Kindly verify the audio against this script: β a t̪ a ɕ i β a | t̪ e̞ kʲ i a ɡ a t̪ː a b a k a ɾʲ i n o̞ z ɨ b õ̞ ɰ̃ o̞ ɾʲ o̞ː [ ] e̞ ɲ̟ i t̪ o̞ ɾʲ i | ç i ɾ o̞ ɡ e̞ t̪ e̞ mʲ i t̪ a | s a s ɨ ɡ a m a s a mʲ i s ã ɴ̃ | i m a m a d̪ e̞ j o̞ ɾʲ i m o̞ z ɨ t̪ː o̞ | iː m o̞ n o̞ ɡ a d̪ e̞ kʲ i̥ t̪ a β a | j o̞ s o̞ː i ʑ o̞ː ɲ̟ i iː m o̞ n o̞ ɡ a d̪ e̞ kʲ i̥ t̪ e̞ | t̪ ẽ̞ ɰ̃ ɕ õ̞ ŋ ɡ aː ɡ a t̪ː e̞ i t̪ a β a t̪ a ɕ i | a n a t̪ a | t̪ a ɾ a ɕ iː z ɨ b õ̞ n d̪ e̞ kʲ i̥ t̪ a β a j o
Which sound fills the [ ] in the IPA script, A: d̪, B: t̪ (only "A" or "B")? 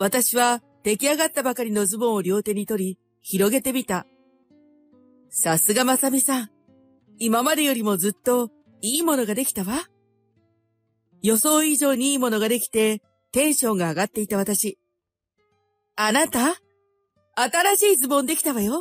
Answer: B